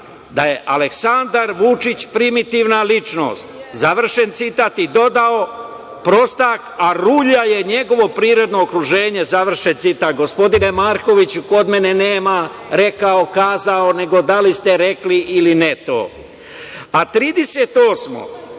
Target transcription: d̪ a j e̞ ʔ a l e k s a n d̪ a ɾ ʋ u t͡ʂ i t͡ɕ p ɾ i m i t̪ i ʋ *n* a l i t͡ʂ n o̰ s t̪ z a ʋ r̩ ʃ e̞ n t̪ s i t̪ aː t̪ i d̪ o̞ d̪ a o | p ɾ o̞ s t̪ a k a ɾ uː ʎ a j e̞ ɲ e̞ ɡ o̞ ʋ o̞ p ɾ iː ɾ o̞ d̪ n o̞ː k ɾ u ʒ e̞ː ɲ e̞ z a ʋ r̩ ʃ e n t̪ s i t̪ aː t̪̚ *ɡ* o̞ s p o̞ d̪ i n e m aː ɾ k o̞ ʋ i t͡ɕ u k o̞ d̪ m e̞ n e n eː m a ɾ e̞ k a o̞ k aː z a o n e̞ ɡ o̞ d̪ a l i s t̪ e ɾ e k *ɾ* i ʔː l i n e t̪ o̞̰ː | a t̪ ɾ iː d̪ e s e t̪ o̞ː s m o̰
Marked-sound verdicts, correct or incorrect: correct, correct, incorrect: l

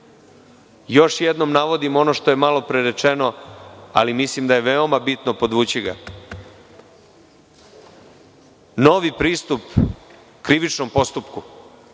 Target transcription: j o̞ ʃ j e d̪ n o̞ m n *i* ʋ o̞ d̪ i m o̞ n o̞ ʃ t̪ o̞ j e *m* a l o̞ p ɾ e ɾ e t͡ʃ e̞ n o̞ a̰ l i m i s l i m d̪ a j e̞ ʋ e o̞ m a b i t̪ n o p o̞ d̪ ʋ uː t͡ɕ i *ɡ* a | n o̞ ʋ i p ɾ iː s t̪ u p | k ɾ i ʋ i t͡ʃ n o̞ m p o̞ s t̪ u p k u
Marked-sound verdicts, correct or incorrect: incorrect: a, correct, correct

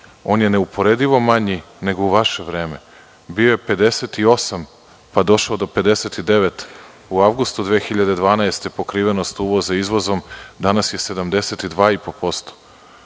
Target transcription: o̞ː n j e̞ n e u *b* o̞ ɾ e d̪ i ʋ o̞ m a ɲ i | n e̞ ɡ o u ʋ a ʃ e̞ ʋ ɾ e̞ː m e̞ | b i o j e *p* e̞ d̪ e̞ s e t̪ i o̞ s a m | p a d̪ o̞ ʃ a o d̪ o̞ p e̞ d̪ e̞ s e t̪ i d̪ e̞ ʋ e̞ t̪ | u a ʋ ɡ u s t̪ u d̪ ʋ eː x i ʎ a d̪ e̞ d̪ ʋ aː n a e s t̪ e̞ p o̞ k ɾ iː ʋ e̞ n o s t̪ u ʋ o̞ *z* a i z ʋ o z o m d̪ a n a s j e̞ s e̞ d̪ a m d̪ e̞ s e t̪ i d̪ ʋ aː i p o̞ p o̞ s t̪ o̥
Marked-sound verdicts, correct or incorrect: incorrect: p, correct, correct

